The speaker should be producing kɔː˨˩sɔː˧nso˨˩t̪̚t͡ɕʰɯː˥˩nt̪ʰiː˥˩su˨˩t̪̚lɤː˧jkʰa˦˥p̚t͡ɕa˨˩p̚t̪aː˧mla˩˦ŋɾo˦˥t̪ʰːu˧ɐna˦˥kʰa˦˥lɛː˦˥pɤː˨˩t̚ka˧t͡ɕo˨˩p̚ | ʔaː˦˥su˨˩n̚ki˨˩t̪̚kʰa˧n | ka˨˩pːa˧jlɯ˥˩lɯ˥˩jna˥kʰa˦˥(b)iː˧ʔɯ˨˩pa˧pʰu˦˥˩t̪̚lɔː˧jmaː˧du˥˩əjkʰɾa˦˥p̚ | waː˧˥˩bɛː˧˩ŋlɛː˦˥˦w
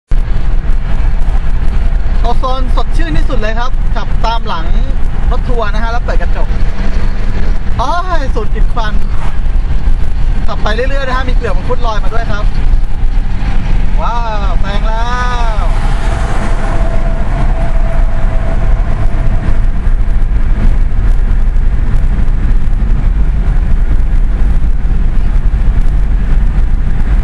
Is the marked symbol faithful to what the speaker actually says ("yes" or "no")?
no